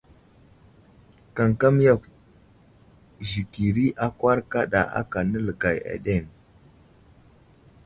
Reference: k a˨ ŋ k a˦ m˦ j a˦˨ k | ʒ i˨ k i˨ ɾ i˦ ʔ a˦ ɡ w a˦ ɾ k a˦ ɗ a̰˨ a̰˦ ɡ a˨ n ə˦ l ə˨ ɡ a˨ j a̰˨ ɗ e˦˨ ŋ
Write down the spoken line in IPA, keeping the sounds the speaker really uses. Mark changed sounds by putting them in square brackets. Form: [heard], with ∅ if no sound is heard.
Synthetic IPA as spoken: k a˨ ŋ k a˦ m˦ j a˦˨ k | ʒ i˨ k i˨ ɾ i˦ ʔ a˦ [k] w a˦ ɾ k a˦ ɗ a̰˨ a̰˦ [k] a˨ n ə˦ l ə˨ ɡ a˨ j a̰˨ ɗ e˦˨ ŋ

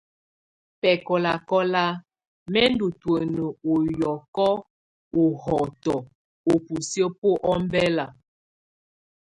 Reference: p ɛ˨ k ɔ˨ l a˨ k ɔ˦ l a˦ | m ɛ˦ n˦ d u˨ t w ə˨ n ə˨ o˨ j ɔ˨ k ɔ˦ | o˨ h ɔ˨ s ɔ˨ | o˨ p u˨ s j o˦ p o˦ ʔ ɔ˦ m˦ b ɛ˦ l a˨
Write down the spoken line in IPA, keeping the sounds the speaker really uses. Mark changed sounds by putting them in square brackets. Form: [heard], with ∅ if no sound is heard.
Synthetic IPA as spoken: p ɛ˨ k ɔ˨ l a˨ k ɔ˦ l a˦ | m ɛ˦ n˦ d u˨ t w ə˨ n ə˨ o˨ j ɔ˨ k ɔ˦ | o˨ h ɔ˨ [t] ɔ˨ | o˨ p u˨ s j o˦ p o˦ ʔ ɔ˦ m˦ b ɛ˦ l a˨

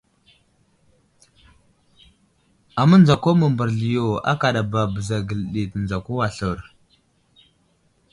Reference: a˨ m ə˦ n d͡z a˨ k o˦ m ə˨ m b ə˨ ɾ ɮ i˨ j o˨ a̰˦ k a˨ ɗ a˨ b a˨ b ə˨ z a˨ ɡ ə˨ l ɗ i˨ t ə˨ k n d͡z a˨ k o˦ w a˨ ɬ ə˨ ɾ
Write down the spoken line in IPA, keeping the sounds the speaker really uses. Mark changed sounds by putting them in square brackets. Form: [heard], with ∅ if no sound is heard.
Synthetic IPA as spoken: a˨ m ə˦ n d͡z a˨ k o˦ m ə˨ m b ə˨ ɾ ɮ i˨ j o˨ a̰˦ k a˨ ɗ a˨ b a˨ b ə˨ z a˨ ɡ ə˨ l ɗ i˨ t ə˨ [∅] n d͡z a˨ k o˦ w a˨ ɬ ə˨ ɾ

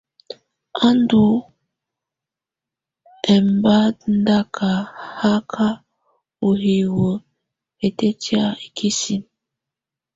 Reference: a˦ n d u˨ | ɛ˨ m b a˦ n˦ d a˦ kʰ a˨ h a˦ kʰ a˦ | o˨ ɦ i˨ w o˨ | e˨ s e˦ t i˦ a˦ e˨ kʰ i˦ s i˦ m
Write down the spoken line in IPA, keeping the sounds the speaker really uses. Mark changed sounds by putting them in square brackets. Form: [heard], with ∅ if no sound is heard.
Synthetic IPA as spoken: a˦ n d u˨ | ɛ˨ m b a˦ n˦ d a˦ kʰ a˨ h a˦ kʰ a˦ | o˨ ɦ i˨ w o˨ | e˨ [t] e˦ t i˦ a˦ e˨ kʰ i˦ s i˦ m

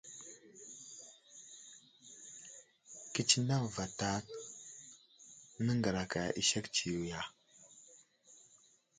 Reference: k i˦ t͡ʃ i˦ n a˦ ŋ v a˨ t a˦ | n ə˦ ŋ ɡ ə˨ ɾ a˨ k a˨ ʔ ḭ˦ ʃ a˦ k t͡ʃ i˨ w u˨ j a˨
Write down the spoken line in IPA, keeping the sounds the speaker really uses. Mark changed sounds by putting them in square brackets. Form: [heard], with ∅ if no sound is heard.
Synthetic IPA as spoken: k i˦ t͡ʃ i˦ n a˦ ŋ v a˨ t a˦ | n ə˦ ŋ ɡ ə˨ ɾ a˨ k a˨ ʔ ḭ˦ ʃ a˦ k t͡ʃ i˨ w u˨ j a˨

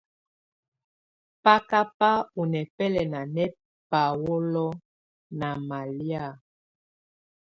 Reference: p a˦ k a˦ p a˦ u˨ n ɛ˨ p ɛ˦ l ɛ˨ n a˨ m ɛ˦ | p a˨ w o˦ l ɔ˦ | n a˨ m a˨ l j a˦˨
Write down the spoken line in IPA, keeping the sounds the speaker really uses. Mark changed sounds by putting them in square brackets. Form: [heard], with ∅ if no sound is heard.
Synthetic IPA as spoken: p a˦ k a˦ p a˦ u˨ n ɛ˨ p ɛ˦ l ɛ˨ n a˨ [n] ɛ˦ | p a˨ w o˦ l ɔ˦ | n a˨ m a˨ l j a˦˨

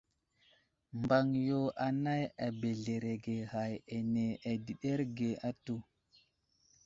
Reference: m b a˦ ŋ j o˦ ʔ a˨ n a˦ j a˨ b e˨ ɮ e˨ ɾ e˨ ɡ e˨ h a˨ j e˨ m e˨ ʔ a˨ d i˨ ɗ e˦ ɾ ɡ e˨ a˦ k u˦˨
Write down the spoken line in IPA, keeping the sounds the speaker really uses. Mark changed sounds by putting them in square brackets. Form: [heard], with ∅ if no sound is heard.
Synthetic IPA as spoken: m b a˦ ŋ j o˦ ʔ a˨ n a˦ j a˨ b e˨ ɮ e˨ ɾ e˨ ɡ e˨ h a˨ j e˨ [n] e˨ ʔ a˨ d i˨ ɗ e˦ ɾ ɡ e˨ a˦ [t] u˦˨

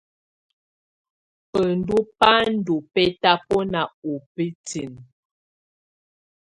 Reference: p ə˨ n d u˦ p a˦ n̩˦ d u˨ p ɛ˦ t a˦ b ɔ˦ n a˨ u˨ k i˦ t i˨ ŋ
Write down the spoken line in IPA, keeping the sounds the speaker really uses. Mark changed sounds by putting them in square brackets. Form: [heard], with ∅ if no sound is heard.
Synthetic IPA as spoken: p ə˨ n d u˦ p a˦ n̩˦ d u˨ p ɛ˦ t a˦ [p] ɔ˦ n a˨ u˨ [p] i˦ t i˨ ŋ

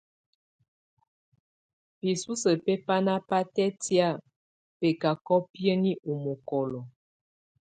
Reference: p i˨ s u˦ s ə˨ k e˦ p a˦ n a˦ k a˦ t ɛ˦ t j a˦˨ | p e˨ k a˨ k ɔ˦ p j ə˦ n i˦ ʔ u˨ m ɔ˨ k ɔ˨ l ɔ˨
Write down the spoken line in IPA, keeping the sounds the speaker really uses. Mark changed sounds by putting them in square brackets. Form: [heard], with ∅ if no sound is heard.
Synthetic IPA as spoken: p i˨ s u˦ s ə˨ [p] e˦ p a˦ n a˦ [p] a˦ t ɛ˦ t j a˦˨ | p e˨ k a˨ k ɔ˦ p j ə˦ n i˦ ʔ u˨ m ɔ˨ k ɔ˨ l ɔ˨

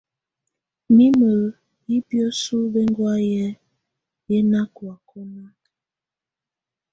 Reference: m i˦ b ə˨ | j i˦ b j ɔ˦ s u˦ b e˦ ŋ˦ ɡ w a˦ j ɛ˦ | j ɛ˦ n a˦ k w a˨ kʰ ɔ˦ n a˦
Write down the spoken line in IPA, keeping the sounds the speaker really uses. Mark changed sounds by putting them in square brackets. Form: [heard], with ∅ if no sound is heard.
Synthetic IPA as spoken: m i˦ [m] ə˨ | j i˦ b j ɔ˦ s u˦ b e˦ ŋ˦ ɡ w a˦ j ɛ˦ | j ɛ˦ n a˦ k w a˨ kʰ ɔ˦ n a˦

